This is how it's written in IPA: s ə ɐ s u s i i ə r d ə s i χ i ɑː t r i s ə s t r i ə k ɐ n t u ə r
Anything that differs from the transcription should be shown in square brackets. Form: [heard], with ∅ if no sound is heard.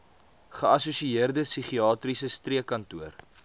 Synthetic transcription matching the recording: [χ] ə ɐ s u s i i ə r d ə s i χ i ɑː t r i s ə s t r i ə k ɐ n t u ə r